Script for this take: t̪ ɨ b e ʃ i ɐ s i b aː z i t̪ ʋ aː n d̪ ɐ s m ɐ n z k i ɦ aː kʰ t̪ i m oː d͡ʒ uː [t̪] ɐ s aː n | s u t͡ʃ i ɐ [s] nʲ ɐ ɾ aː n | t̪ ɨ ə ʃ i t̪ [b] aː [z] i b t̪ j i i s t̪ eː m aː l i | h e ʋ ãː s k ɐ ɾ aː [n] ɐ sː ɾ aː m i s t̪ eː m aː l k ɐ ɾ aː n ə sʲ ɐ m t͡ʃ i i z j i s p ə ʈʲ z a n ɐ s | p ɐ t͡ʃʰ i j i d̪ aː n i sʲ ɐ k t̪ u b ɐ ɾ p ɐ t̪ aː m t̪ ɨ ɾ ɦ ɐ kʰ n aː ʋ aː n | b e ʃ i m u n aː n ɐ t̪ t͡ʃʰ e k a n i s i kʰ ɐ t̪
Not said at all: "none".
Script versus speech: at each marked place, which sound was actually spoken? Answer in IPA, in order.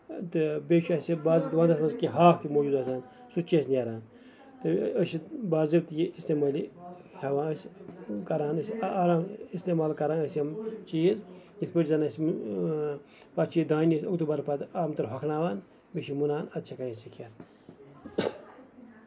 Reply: d̪, s, b, z, n

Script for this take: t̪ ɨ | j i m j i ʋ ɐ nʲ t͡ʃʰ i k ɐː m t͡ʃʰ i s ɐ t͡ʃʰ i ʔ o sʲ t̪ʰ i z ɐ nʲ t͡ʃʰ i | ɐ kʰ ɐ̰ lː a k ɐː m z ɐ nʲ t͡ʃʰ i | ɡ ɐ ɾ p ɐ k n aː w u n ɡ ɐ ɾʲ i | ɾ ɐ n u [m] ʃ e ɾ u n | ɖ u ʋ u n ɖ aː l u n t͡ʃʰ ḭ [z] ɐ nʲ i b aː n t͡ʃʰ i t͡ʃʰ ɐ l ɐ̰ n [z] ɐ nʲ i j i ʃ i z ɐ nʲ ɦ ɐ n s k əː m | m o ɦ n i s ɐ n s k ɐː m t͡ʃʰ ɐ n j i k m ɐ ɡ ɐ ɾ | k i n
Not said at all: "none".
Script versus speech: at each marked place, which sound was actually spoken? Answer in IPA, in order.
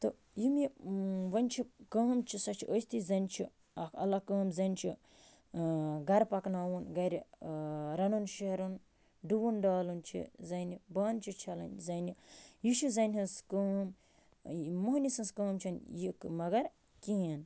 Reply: n, z, z

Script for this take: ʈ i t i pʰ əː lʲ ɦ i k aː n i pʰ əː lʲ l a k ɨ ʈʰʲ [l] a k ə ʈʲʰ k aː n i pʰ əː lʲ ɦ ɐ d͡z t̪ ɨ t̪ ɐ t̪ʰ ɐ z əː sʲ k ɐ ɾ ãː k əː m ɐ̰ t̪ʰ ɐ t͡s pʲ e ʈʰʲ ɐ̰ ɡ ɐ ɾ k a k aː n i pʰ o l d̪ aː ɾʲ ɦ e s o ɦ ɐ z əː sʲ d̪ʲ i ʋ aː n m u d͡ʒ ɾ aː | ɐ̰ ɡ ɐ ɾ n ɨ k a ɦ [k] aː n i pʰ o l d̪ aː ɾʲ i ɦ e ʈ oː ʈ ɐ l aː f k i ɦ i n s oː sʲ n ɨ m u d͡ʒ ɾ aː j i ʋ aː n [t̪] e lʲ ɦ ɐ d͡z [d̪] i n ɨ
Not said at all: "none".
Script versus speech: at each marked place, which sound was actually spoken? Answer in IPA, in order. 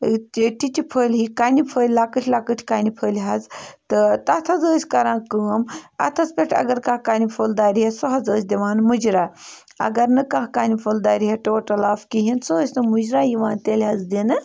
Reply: l, k, t̪, d̪

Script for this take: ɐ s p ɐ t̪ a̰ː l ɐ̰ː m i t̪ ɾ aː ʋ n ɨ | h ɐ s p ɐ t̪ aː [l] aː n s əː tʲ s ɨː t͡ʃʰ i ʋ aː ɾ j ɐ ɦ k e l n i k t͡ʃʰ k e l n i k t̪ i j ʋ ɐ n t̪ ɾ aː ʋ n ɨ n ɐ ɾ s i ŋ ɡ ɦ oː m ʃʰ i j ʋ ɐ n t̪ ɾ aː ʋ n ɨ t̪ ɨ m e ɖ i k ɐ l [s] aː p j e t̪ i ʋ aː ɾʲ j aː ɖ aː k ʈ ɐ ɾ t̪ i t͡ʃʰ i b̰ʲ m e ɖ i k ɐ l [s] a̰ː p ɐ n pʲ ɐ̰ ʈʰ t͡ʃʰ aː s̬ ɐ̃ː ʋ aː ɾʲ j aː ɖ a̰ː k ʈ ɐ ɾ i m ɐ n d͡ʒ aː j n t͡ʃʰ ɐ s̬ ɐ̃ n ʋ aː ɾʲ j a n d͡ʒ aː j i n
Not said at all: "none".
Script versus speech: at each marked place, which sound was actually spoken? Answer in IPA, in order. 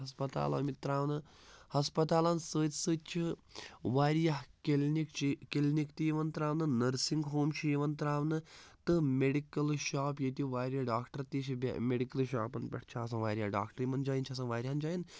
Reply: l, ʃ, ʃ

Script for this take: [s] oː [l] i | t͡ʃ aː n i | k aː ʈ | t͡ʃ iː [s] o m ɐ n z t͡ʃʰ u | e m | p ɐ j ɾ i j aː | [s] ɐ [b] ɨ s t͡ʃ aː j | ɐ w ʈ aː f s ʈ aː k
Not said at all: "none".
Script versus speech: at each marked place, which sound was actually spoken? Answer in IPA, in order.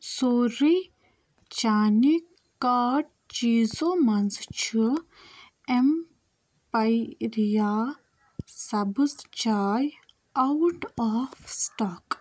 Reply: s, ɾ, z, s, b

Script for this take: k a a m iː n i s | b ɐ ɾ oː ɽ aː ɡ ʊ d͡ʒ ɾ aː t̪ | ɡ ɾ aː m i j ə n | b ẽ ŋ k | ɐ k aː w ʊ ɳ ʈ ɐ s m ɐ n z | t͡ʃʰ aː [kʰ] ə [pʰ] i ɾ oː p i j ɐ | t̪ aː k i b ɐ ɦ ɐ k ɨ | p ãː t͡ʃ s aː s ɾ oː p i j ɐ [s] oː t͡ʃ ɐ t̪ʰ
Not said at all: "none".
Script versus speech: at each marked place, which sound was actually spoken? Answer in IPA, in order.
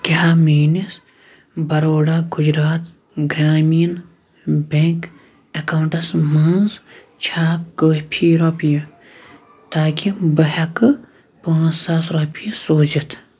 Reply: k, pʰ, s

